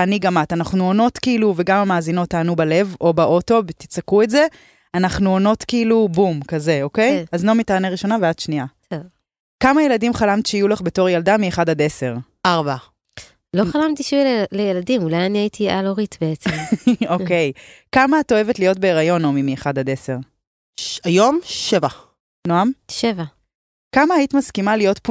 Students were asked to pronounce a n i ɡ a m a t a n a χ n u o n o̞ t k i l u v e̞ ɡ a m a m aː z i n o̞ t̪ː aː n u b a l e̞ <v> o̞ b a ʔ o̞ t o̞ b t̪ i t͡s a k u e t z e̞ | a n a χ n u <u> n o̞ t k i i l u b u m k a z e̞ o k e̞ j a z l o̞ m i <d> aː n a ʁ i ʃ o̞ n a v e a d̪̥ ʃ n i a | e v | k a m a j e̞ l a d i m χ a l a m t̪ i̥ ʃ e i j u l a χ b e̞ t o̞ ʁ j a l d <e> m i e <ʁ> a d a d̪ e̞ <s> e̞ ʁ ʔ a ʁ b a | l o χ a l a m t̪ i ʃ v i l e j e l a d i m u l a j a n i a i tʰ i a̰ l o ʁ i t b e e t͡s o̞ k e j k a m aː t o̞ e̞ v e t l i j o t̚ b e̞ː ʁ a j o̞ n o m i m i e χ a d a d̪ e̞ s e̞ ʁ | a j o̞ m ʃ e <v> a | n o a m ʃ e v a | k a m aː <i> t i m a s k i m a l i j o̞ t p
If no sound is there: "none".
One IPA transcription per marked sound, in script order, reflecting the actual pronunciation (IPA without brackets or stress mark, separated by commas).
v, o, t, a, χ, s, v, i